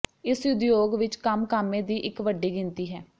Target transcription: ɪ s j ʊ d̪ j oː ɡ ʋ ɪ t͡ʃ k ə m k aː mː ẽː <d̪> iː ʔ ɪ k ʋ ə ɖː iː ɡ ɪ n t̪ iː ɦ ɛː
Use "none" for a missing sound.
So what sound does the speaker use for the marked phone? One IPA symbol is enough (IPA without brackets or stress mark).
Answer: d̪